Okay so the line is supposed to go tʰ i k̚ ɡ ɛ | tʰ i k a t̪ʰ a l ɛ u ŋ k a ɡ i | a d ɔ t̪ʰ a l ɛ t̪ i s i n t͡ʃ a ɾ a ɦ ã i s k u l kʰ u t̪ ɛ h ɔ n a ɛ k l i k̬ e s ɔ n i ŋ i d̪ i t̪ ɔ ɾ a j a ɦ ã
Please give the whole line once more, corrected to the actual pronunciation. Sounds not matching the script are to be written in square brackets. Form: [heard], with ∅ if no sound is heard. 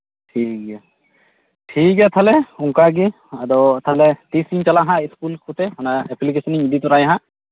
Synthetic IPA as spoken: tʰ i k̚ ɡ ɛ | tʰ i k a t̪ʰ a l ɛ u ŋ k a ɡ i | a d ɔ t̪ʰ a l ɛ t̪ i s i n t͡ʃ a [l] a ɦ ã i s k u l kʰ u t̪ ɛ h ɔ n a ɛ [p] l i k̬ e s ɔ n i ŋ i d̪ i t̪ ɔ ɾ a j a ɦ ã